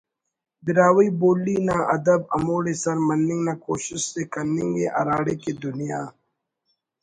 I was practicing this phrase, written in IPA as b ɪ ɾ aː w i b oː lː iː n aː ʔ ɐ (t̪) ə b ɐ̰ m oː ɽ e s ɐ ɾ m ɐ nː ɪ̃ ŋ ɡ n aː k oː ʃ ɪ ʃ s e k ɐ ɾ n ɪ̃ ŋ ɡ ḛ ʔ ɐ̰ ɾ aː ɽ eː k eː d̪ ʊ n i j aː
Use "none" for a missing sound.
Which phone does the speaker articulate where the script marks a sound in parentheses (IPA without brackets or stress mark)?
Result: d̪